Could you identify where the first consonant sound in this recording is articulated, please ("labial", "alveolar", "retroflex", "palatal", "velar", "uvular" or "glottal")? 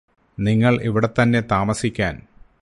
alveolar